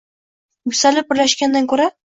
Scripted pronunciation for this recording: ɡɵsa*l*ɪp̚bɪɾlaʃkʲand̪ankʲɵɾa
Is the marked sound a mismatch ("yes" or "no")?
no